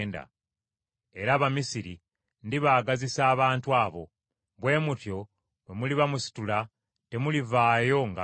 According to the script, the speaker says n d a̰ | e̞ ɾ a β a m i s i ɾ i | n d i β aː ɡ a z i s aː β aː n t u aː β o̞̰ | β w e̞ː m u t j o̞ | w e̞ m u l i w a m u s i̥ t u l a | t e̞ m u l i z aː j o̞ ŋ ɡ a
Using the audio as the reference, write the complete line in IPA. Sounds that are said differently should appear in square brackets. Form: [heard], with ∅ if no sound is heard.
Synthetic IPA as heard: n d a̰ | e̞ ɾ a β a m i s i ɾ i | n d i β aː ɡ a z i s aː β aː n t u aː β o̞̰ | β w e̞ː m u t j o̞ | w e̞ m u l i [β] a m u s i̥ t u l a | t e̞ m u l i [v] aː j o̞ ŋ ɡ a